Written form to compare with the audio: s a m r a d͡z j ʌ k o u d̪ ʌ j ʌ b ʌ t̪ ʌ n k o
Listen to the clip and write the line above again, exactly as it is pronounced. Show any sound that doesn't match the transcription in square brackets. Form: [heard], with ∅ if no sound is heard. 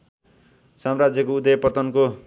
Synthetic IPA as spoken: s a m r a d͡z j ʌ k o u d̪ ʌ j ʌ [p] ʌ t̪ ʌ n k o